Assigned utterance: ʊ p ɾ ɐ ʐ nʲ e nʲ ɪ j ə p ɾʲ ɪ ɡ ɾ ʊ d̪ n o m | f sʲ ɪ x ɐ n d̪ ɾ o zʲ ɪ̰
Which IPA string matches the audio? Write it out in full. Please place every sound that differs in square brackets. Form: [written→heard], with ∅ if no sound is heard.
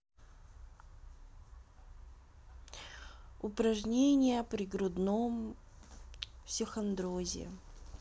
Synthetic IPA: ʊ p ɾ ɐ ʐ nʲ e nʲ ɪ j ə p ɾʲ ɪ ɡ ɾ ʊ d̪ n o m | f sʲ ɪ x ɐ n d̪ ɾ o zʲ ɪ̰